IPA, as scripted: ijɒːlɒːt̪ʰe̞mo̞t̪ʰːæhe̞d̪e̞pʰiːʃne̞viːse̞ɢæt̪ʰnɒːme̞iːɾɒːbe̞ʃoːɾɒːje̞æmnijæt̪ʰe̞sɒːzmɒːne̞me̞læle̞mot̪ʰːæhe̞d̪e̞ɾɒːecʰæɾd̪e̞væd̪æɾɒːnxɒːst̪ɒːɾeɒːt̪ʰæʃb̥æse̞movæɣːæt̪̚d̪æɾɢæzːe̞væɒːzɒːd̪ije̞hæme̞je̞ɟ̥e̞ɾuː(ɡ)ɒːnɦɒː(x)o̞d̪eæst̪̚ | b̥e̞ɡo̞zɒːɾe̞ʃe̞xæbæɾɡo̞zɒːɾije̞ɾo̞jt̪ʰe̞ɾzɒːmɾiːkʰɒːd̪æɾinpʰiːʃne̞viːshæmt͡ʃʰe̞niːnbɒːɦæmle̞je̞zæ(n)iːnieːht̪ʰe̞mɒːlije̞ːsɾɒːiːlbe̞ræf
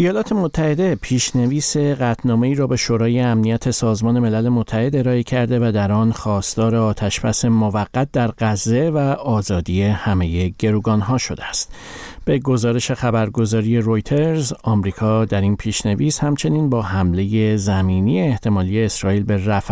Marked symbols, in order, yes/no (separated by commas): yes, no, no